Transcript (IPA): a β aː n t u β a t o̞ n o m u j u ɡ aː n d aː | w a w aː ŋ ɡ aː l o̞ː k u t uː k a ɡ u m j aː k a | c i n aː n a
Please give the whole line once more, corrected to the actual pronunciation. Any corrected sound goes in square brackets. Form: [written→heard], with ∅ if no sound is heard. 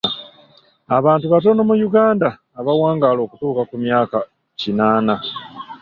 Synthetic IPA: a β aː n t u β a t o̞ n o m u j u ɡ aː n d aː | [w→β] a w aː ŋ ɡ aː l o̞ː k u t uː k a [ɡ→k] u m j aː k a | c i n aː n a